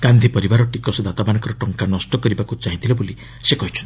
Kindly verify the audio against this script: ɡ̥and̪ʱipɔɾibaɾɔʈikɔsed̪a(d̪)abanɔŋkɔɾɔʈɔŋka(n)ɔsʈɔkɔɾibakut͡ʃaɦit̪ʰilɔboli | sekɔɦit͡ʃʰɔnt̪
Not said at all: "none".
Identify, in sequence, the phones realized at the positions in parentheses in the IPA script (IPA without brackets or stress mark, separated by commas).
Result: t̪, n